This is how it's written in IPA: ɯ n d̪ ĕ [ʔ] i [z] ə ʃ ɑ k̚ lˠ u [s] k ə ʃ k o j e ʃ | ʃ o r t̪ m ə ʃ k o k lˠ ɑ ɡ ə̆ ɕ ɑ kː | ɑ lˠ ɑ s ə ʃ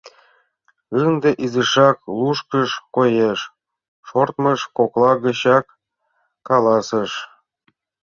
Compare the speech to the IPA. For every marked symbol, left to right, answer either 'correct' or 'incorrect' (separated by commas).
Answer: correct, correct, incorrect